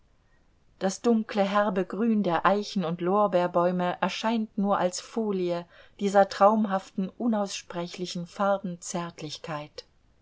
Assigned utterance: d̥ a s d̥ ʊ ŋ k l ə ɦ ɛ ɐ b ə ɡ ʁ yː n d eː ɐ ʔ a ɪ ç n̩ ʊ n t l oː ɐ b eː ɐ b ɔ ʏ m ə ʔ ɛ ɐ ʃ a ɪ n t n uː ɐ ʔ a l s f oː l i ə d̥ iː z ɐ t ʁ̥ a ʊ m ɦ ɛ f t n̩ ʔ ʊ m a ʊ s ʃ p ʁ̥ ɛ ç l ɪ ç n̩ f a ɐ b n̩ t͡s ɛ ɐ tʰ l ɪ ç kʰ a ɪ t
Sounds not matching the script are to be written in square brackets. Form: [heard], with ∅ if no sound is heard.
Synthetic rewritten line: d̥ a s d̥ ʊ ŋ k l ə ɦ ɛ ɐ b ə ɡ ʁ yː n d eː ɐ ʔ a ɪ ç n̩ ʊ n t l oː ɐ b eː ɐ b ɔ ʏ m ə ʔ ɛ ɐ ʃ a ɪ n t n uː ɐ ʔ a l s f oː l i ə d̥ iː z ɐ t ʁ̥ a ʊ m ɦ [a] f t n̩ ʔ ʊ [n] a ʊ s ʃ p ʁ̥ ɛ ç l ɪ ç n̩ f a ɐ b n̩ t͡s ɛ ɐ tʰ l ɪ ç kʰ a ɪ t